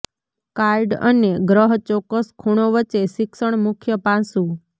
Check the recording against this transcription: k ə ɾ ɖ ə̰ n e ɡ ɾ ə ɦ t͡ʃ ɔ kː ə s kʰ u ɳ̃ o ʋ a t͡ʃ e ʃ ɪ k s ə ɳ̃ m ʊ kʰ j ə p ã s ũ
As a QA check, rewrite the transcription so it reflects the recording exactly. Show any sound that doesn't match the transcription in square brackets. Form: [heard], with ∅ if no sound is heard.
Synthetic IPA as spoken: k [a] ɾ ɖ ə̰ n e ɡ ɾ ə ɦ t͡ʃ ɔ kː ə s kʰ u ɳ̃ o ʋ [ə] t͡ʃ e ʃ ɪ k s ə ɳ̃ m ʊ kʰ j ə p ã s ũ